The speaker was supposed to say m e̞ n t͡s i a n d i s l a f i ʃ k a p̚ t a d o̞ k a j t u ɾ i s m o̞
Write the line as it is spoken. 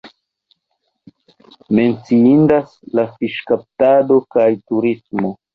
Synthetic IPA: m e̞ n t͡s i i n d a s l a f i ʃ k a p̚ t a d o̞ k a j t u ɾ i s m o̞